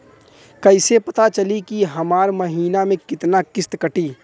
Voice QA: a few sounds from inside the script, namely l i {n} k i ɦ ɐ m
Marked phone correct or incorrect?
incorrect